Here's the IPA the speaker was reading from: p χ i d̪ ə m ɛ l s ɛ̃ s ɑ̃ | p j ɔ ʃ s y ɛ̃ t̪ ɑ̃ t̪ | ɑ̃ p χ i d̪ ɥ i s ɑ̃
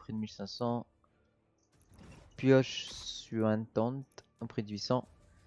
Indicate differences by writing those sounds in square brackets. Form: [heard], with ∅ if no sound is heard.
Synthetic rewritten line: p χ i d̪ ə m [i] l s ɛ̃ s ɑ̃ | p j ɔ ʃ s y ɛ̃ t̪ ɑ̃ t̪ | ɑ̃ p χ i d̪ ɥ i s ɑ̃